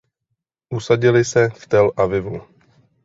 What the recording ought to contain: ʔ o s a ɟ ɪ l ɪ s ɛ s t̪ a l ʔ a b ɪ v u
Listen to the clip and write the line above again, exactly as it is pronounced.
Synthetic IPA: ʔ u s a ɟ ɪ l ɪ s ɛ f t̪ ɛ l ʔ a v ɪ v u